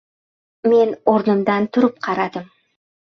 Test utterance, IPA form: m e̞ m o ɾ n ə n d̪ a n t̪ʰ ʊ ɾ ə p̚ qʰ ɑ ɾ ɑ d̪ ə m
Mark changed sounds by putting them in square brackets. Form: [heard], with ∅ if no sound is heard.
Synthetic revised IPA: m e̞ [n] o ɾ n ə [m] d̪ [ɑ] n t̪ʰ ʊ ɾ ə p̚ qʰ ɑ ɾ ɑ d̪ ə m

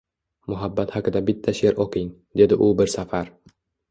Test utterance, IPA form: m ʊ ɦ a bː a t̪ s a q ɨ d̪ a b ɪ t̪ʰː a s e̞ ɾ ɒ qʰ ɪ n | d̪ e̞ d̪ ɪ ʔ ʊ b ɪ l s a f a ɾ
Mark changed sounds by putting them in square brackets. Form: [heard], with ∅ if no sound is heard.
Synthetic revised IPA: m ʊ ɦ a bː a t̪ [h] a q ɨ d̪ a b ɪ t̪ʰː a [ʃ] e̞ ɾ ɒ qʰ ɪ [ŋ] | d̪ e̞ d̪ ɪ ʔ ʊ b ɪ [ɾ] s a f a ɾ

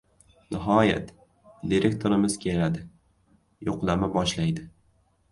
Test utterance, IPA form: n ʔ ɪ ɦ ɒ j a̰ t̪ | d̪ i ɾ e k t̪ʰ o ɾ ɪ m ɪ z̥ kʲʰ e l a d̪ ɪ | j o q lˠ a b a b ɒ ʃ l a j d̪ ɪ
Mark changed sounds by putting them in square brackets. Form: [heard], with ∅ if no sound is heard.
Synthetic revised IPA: n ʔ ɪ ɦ ɒ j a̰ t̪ | d̪ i ɾ e k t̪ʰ o ɾ ɪ m ɪ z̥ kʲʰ e l a d̪ ɪ | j o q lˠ a [m] a b ɒ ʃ l a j d̪ ɪ

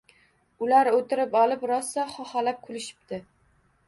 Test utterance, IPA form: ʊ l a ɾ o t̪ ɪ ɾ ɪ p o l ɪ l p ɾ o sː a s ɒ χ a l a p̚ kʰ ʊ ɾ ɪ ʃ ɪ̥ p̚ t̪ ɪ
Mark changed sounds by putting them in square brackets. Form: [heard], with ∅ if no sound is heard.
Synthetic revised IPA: ʊ l a ɾ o t̪ ɪ ɾ ɪ p [ɒ] l ɪ [∅] p ɾ [ɒ] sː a [χ] ɒ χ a l a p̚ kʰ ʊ [l] ɪ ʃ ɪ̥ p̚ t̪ ɪ

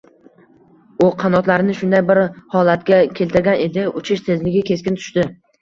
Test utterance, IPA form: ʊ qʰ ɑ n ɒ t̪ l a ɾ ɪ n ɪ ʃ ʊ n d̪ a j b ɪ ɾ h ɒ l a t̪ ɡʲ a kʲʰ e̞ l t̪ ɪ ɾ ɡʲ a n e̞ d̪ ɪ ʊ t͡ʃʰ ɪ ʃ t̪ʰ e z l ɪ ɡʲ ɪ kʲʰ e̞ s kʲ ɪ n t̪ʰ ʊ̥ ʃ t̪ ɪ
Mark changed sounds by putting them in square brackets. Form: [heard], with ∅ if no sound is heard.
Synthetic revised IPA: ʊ qʰ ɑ n ɒ t̪ l a ɾ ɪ n ɪ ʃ ʊ n d̪ a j b ɪ ɾ h ɒ l a t̪ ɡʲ a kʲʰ e̞ l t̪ ɪ ɾ ɡʲ a n e̞ d̪ ɪ ʊ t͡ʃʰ ɪ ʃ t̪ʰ e z l ɪ ɡʲ ɪ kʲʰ e̞ s kʲ ɪ n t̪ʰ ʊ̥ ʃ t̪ ɪ

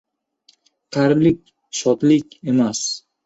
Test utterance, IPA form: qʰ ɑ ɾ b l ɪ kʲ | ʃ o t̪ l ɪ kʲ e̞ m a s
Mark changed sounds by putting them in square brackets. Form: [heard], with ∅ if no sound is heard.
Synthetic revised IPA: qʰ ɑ ɾ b l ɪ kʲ | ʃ [ɒ] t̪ l ɪ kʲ e̞ m a s

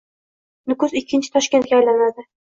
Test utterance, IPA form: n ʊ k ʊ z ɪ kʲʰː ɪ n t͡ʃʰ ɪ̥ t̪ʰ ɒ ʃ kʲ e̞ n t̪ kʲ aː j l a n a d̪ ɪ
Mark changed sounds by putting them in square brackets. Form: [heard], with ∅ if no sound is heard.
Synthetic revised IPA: n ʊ k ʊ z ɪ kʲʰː ɪ n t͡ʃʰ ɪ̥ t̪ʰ ɒ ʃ kʲ e̞ n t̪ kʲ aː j l a n a d̪ ɪ

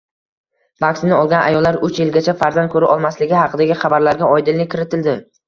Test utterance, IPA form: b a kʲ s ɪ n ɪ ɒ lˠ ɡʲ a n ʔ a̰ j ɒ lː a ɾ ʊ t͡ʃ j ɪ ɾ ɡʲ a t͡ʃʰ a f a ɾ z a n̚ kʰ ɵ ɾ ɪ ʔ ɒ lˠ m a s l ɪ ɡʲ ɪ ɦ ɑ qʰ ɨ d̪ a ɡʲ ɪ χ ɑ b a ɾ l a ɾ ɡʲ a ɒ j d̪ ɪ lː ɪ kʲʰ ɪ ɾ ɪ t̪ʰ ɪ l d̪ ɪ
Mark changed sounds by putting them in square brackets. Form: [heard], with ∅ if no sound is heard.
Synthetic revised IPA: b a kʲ s ɪ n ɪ ɒ lˠ ɡʲ a n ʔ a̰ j ɒ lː a ɾ ʊ t͡ʃ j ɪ [l] ɡʲ a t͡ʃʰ a f a ɾ z a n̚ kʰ ɵ ɾ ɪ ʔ ɒ lˠ m a s l ɪ ɡʲ ɪ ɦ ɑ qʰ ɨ d̪ a ɡʲ ɪ χ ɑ b a ɾ l a ɾ ɡʲ a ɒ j d̪ ɪ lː ɪ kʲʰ ɪ ɾ ɪ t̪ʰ ɪ l d̪ ɪ

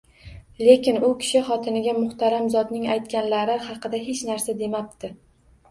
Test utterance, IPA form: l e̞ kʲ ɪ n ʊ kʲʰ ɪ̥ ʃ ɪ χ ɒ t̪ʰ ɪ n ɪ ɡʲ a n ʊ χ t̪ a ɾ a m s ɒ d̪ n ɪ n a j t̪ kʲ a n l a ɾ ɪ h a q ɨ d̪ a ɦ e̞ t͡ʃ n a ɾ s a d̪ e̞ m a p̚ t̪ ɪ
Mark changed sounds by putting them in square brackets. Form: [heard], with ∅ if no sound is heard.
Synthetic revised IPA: l e̞ kʲ ɪ n ʊ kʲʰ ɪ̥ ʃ ɪ χ ɒ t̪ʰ ɪ n ɪ ɡʲ a [m] ʊ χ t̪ a ɾ a m [z] ɒ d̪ n ɪ [ŋ] a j t̪ kʲ a n l a ɾ ɪ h [ɑ] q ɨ d̪ a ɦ e̞ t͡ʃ n a ɾ s a d̪ e̞ m a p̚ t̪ ɪ

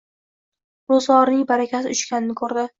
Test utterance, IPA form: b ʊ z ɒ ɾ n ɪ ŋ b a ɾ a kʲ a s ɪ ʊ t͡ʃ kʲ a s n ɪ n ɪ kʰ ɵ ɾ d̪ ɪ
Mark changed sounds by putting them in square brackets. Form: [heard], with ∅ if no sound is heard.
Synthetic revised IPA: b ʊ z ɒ ɾ n ɪ ŋ b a ɾ a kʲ a s ɪ ʊ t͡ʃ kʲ a [∅] n ɪ n ɪ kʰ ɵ ɾ d̪ ɪ

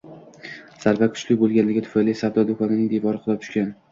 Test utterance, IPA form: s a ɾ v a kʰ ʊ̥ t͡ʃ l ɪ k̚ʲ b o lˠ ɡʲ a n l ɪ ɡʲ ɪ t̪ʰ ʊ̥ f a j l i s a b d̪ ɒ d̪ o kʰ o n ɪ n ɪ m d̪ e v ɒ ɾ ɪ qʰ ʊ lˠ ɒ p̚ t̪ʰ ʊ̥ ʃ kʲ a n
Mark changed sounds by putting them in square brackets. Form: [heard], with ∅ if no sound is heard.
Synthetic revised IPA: s a ɾ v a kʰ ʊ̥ t͡ʃ l ɪ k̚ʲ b o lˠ ɡʲ a n l ɪ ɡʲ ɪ t̪ʰ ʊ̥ f a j l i s a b d̪ ɒ d̪ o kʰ [ɒ] n ɪ n ɪ [ŋ] d̪ e v ɒ ɾ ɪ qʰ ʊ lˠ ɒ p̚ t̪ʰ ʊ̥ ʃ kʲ a n

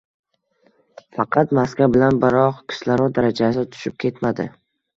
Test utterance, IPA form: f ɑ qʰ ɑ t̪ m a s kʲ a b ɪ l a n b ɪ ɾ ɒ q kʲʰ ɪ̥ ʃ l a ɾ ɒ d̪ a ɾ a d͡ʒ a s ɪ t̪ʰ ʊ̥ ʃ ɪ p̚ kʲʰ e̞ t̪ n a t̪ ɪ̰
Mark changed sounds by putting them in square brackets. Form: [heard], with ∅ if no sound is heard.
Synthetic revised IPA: f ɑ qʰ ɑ t̪ m a s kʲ a b ɪ l a n b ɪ ɾ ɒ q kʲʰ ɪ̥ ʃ l a ɾ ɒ d̪ a ɾ a d͡ʒ a s ɪ t̪ʰ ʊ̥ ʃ ɪ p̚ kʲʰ e̞ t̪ [m] a [d̪] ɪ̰

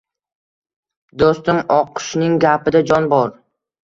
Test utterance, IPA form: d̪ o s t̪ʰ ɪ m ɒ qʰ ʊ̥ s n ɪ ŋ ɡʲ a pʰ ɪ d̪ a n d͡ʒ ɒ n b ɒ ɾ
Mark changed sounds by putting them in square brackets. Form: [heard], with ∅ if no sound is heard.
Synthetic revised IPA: d̪ o s [t̪] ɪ m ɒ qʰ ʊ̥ [ʃ] n ɪ ŋ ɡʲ a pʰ ɪ d̪ a [∅] d͡ʒ ɒ n b ɒ ɾ

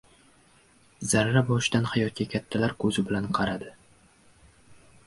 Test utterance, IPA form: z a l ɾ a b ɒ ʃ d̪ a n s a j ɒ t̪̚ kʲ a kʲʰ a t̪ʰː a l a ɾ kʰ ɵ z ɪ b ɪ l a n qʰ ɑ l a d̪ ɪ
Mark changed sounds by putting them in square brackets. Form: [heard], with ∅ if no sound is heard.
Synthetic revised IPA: z a [ɾ] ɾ a b ɒ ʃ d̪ a n [h] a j ɒ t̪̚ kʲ a kʲʰ a t̪ʰː a l a ɾ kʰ ɵ z ɪ b ɪ l a n qʰ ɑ [ɾ] a d̪ ɪ

